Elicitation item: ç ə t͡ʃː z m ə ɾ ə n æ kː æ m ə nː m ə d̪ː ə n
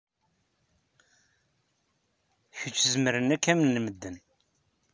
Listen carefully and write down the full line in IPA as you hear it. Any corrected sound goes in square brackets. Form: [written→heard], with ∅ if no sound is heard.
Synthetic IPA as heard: ç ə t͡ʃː z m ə ɾ ə n æ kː æ m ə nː m ə d̪ː ə n